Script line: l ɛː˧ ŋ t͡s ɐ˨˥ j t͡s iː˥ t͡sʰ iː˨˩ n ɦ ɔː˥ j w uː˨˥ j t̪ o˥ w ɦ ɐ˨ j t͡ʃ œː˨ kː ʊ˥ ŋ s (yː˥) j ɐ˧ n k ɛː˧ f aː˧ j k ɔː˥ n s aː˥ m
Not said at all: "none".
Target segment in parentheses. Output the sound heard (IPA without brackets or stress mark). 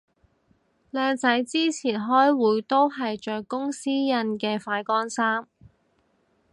iː˥